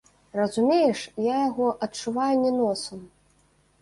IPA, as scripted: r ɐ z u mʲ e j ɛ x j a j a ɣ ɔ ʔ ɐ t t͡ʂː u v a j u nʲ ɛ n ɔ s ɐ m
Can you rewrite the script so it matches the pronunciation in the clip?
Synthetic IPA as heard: r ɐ z u mʲ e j ɛ ʂ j a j a ɣ ɔ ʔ ɐ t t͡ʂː u v a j u nʲ ɛ n ɔ s ɐ m

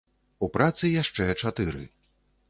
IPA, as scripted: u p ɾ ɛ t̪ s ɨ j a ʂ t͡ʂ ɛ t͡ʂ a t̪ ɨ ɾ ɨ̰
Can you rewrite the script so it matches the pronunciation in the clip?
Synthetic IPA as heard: u p ɾ a t̪ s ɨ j a ʂ t͡ʂ ɛ t͡ʂ a t̪ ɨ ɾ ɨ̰

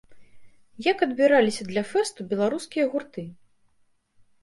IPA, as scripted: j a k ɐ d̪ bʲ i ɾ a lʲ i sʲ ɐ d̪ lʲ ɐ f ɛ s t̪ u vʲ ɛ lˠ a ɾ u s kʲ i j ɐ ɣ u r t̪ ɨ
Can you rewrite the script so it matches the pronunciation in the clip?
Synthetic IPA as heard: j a k ɐ d̪ bʲ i ɾ a lʲ i sʲ ɐ d̪ lʲ ɐ f ɛ s t̪ u bʲ ɛ lˠ a ɾ u s kʲ i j ɐ ɣ u r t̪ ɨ

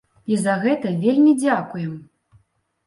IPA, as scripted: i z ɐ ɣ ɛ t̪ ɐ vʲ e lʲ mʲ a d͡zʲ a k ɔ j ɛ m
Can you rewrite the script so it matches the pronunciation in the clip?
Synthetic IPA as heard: i z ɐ ɣ ɛ t̪ ɐ vʲ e lʲ mʲ i d͡zʲ a k u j ɛ m

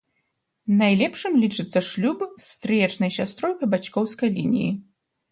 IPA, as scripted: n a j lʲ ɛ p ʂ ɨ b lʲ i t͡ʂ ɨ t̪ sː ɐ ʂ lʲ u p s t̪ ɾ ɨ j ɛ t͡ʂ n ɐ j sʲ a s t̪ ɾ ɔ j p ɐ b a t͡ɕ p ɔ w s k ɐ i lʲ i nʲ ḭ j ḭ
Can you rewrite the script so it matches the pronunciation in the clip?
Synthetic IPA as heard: n a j lʲ ɛ p ʂ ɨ m lʲ i t͡ʂ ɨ t̪ sː ɐ ʂ lʲ u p s t̪ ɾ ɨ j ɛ t͡ʂ n ɐ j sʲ a s t̪ ɾ ɔ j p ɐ b a t͡ɕ k ɔ w s k ɐ j lʲ i nʲ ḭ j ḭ

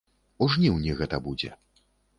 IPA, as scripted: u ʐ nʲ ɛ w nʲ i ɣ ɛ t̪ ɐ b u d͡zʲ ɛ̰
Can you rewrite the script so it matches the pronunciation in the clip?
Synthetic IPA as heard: u ʐ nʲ i w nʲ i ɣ ɛ t̪ ɐ b u d͡zʲ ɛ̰

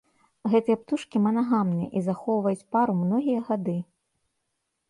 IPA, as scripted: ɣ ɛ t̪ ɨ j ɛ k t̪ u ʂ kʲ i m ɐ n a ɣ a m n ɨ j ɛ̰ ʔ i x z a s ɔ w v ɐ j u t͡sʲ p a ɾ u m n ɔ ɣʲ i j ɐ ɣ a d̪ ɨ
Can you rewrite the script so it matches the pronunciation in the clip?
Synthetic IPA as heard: ɣ ɛ t̪ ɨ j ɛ p t̪ u ʂ kʲ i m ɐ n a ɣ a m n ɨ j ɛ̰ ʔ i z a x ɔ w v ɐ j u t͡sʲ p a ɾ u m n ɔ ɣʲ i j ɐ ɣ a d̪ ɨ

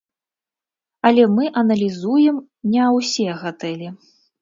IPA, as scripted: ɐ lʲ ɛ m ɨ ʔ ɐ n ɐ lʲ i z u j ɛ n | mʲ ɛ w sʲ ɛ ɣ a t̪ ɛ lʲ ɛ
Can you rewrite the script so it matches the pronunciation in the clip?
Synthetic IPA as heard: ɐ lʲ ɛ m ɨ ʔ ɐ n ɐ lʲ i z u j ɛ m | nʲ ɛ w sʲ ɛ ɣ a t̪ ɛ lʲ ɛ

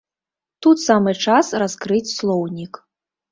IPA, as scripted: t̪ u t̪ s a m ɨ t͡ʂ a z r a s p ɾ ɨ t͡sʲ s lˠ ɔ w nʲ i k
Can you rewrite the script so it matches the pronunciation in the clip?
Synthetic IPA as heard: t̪ u t̪ s a m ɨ t͡ʂ a s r a s k ɾ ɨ t͡sʲ s lˠ ɔ w nʲ i k

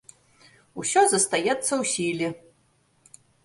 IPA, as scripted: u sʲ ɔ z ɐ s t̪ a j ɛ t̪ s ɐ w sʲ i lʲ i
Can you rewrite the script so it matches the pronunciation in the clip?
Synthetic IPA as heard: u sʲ ɔ z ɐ s t̪ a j ɛ t̪ sː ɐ w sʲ i lʲ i

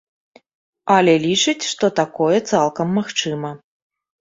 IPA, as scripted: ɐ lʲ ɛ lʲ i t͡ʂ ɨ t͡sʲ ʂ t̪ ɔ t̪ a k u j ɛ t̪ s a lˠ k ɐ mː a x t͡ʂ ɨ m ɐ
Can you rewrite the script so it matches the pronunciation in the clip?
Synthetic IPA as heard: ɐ lʲ ɛ lʲ i t͡ʂ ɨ t͡sʲ ʂ t̪ ɔ t̪ a k ɔ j ɛ t̪ s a lˠ k ɐ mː a x t͡ʂ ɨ m ɐ

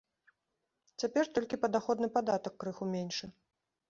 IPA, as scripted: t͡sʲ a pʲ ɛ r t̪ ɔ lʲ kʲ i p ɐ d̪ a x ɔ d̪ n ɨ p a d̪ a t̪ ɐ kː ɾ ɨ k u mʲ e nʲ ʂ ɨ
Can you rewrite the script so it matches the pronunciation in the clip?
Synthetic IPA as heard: t͡sʲ a pʲ ɛ r t̪ ɔ lʲ kʲ i p ɐ d̪ a x ɔ d̪ n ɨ p a d̪ a t̪ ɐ kː ɾ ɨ x u mʲ e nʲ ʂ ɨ

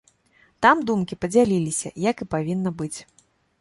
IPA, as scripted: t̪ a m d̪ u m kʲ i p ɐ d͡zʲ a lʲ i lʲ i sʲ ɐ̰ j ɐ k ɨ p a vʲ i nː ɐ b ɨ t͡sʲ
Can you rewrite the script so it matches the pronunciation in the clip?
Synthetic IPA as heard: t̪ a m d̪ u m kʲ i p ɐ d͡zʲ a lʲ i lʲ i sʲ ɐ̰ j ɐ k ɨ p a vʲ i nː ɐ b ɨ t͡sʲ

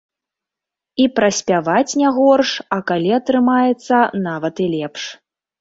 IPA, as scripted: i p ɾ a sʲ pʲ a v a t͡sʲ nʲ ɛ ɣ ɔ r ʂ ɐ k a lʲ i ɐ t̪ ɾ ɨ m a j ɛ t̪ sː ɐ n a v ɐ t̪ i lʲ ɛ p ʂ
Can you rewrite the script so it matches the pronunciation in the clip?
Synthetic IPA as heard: i p ɾ ɐ sʲ pʲ a v a t͡sʲ nʲ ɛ ɣ ɔ r ʂ ɐ k a lʲ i ɐ t̪ ɾ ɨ m a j ɛ t̪ sː ɐ n a v ɐ t̪ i lʲ ɛ p ʂ

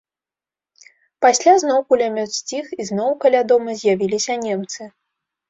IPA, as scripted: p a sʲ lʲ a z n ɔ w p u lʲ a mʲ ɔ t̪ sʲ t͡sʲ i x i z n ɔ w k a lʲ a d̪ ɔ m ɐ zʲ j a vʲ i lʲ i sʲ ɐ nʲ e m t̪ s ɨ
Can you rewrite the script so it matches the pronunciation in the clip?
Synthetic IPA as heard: p a sʲ lʲ a z n ɔ w k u lʲ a mʲ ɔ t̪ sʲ t͡sʲ i x i z n ɔ w k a lʲ a d̪ ɔ m ɐ zʲ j a vʲ i lʲ i sʲ ɐ nʲ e m t̪ s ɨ

